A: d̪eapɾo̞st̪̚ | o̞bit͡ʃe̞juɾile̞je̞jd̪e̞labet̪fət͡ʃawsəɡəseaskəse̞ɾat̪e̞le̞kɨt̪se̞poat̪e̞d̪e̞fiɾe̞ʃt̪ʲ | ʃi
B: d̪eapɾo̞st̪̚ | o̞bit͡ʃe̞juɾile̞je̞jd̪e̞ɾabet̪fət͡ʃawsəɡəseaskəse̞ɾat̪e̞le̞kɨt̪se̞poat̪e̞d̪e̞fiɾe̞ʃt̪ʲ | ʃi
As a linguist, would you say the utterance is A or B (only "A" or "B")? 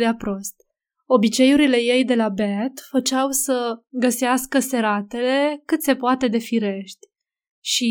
A